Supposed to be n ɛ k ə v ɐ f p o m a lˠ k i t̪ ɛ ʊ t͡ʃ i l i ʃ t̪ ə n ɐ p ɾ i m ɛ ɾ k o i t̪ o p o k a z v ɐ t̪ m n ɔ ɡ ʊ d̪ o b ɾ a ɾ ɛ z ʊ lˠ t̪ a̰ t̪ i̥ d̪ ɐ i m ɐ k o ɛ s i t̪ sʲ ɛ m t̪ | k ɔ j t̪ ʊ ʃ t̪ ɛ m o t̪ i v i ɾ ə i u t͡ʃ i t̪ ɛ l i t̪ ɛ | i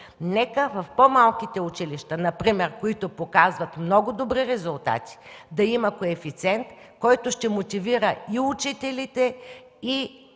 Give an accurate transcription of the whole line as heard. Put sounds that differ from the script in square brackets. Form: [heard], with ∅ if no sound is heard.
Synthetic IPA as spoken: n ɛ k ə v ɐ f p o m a lˠ k i t̪ ɛ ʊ t͡ʃ i l i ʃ t̪ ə n ɐ p ɾ i m ɛ ɾ k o i t̪ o p o k a z v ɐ t̪ m n ɔ ɡ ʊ d̪ o b ɾ [i] ɾ ɛ z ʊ lˠ t̪ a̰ t̪ i̥ d̪ ɐ i m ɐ k o ɛ [f] i t̪ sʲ ɛ [n] t̪ | k ɔ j t̪ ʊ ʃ t̪ ɛ m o t̪ i v i ɾ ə i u t͡ʃ i t̪ ɛ l i t̪ ɛ | i